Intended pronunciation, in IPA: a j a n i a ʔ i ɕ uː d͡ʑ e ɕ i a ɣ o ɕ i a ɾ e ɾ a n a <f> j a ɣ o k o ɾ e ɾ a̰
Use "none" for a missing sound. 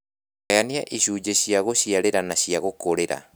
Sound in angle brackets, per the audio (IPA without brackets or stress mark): ɕ